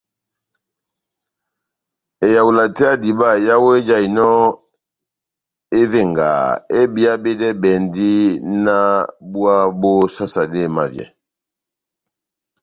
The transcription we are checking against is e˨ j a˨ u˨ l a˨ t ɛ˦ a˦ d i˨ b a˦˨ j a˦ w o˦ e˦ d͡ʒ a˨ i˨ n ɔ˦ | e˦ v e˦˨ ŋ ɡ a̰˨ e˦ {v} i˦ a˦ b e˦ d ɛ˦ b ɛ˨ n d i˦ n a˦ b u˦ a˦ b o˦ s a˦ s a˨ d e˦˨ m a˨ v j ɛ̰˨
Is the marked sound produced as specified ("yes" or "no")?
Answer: no